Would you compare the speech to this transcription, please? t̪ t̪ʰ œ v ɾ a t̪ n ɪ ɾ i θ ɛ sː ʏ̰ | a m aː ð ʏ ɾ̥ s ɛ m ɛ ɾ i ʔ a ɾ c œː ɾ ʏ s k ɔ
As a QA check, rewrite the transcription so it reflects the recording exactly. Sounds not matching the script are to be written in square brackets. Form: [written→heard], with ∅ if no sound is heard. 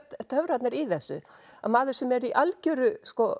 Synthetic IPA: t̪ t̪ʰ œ v ɾ a t̪ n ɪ ɾ i θ ɛ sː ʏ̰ | a m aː ð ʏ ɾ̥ s ɛ m ɛ ɾ i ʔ a [ɾ→l] c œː ɾ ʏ s k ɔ